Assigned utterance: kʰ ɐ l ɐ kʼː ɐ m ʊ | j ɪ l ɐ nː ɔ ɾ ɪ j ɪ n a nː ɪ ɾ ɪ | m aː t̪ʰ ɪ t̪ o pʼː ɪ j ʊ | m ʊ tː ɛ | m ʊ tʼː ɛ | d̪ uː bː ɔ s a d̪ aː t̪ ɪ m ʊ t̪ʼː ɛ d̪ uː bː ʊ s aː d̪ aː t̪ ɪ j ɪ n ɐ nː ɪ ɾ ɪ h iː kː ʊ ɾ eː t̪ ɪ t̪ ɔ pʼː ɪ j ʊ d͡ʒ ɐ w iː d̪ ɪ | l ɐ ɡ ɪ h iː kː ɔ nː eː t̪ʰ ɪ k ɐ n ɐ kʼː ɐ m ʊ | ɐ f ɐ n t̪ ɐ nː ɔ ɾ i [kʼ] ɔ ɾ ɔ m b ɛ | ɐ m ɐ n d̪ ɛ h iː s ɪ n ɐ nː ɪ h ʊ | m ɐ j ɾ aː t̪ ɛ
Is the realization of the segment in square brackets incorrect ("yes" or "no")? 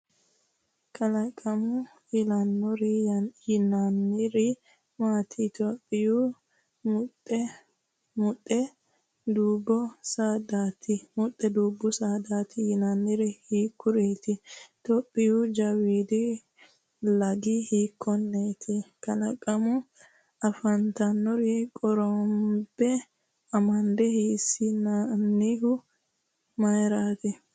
no